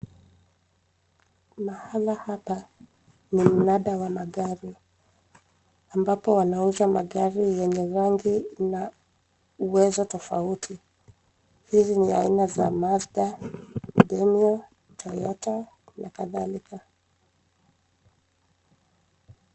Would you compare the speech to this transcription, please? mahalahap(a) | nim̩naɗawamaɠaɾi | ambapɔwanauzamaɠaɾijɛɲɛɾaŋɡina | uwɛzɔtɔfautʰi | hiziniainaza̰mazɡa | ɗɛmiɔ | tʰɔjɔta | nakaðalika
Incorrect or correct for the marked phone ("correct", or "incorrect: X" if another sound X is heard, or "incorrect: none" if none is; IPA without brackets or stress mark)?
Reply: correct